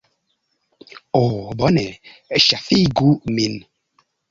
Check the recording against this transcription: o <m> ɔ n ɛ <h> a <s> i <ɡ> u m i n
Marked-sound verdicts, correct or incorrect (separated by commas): incorrect, incorrect, incorrect, correct